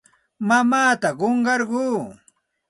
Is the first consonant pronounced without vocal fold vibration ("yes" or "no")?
no